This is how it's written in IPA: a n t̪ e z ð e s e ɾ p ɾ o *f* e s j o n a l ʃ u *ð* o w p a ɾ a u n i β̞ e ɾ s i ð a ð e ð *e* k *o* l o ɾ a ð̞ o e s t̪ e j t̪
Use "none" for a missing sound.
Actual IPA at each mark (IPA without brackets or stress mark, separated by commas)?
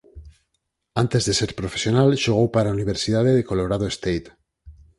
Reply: f, ɣ, e, o